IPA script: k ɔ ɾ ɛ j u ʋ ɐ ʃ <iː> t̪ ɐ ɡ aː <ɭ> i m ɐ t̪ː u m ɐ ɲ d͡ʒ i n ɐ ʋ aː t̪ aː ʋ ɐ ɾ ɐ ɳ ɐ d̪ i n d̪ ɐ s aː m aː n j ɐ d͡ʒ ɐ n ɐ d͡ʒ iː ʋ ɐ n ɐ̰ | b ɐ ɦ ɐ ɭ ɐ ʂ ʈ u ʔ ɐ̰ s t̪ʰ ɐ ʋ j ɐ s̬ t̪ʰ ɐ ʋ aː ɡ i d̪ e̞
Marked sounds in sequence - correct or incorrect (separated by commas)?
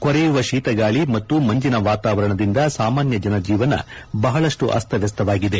correct, correct